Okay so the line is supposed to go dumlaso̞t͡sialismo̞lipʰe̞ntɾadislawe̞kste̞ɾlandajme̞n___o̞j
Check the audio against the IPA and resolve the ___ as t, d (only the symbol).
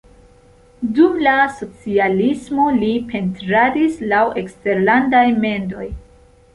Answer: d